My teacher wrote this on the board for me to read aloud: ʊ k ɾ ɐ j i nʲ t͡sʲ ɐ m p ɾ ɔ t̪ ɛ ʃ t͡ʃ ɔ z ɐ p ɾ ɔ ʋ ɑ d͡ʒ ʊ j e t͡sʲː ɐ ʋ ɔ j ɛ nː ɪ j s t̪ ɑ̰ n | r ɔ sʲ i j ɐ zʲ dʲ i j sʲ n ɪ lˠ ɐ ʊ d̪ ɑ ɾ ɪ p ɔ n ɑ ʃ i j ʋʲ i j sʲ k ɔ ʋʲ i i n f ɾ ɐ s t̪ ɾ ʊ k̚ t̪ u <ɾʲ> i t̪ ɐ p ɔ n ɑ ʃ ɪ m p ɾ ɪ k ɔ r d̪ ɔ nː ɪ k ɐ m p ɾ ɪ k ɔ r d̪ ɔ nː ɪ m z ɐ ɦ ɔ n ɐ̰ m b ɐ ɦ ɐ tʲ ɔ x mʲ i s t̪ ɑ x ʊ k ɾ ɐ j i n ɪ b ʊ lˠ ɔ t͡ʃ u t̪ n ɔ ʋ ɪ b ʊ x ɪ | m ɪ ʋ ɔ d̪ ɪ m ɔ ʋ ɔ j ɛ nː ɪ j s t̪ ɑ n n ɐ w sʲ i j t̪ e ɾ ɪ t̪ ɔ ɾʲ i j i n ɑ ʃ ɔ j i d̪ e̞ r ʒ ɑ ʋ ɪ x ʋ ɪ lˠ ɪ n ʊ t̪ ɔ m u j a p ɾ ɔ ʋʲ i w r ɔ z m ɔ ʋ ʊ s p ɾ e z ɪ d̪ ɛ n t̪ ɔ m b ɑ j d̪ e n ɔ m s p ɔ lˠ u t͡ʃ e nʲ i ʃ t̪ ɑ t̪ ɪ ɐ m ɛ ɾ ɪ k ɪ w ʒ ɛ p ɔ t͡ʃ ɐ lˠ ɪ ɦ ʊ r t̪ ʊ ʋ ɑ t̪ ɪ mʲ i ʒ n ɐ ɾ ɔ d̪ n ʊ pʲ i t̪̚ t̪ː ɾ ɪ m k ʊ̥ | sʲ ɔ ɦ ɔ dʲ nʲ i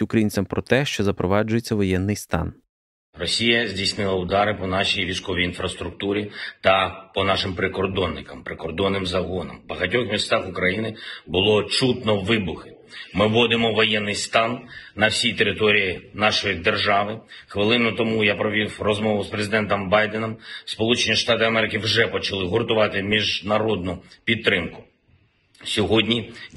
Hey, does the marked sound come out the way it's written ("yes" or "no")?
yes